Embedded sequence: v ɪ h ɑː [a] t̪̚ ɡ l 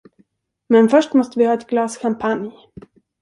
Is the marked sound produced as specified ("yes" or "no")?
no